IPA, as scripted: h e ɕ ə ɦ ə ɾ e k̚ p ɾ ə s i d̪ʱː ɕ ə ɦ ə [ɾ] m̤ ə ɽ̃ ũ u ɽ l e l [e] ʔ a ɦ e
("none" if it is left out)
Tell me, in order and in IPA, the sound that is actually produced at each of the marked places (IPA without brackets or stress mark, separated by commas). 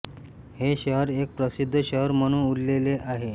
ɾ, e